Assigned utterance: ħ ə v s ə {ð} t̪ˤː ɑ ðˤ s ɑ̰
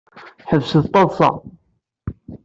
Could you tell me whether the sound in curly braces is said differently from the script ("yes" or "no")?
no